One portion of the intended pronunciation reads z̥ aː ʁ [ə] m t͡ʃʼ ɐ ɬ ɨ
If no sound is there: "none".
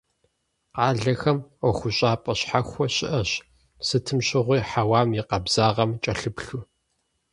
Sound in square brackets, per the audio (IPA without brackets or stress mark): ɐ